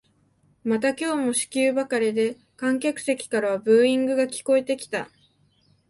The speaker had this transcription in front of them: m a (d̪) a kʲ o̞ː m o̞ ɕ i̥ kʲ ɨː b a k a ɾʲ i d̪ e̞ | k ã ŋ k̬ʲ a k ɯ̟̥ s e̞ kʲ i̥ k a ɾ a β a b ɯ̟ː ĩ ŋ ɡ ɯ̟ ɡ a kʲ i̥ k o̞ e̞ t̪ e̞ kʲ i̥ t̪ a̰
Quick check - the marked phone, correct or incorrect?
incorrect